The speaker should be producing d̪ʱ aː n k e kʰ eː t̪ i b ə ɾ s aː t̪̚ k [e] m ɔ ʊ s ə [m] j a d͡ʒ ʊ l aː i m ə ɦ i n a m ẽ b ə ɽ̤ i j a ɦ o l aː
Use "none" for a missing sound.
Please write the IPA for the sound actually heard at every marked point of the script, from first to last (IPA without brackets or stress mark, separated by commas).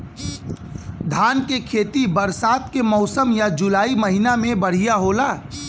e, m